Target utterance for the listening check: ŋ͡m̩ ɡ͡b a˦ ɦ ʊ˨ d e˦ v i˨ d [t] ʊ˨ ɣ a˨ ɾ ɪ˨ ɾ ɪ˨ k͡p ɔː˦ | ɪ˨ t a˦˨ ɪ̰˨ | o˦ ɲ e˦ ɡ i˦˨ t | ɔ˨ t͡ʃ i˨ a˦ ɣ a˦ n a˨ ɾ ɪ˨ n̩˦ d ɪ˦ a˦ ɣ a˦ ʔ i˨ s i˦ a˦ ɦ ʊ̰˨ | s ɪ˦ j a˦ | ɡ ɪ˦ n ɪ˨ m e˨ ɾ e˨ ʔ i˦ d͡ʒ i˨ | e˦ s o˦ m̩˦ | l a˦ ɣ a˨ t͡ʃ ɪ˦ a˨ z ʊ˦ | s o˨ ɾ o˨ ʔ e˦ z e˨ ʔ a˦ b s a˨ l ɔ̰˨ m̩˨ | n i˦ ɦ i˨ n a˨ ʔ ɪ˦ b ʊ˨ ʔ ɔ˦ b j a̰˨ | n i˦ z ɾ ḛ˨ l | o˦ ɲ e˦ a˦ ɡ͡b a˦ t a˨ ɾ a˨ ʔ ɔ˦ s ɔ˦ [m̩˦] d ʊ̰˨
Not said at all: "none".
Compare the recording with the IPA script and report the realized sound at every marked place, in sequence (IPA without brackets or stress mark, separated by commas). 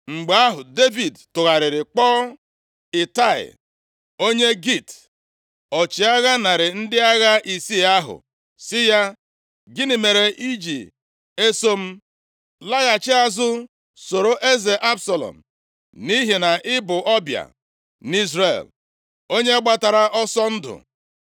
t, n̩˦